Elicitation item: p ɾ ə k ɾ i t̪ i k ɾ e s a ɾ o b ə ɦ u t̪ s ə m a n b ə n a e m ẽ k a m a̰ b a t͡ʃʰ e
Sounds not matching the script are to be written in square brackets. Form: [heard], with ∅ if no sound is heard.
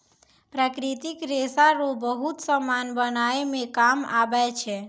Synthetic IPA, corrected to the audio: p ɾ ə k ɾ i t̪ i k ɾ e s a ɾ o b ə ɦ u t̪ s ə m a n b ə n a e m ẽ k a m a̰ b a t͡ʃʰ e